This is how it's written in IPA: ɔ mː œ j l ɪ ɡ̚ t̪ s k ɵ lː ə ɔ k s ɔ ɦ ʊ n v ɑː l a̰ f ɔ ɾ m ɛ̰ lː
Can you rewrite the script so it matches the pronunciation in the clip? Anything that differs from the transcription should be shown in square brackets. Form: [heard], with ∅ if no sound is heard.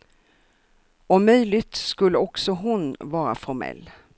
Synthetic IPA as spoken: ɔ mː œ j l ɪ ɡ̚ t̪ s k ɵ lː ə ɔ k s ɔ ɦ ʊ n v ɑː [ɾ] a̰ f ɔ ɾ m ɛ̰ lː

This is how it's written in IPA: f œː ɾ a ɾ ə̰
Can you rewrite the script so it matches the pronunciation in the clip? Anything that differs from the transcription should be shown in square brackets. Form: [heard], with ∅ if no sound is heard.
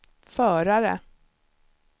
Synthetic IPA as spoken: f œː ɾ a ɾ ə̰

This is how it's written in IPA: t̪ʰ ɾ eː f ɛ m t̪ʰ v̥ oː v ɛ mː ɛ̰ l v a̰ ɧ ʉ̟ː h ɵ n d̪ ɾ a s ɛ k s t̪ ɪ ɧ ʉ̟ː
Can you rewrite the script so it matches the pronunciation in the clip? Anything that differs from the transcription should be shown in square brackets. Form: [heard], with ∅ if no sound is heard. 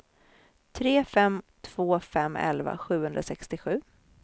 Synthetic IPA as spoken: t̪ʰ ɾ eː f ɛ m t̪ʰ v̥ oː [f] ɛ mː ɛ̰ l v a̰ ɧ ʉ̟ː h ɵ n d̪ ɾ a s ɛ k s t̪ ɪ ɧ ʉ̟ː

